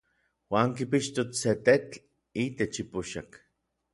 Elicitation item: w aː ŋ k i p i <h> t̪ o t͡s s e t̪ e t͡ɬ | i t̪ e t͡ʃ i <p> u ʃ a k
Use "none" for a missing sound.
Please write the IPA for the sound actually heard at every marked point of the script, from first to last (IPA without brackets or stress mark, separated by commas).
ʃ, p